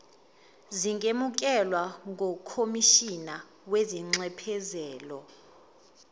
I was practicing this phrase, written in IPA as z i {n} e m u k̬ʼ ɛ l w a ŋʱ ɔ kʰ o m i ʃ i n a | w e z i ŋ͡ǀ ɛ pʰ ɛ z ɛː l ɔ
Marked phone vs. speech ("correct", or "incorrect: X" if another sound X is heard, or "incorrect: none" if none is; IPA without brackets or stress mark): incorrect: ŋ